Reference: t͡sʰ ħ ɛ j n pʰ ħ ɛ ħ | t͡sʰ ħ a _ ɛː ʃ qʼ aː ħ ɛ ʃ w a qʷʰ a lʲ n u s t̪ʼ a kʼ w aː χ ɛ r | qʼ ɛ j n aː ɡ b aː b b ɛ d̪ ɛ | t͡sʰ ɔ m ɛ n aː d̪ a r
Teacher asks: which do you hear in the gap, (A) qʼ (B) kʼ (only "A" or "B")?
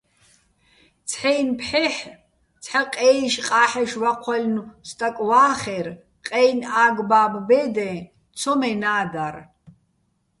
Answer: A